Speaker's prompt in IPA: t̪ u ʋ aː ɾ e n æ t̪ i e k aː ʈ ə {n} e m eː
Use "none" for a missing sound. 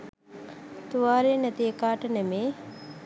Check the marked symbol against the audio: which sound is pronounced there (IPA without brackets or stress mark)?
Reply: n